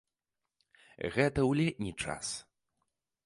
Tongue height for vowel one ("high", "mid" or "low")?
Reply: mid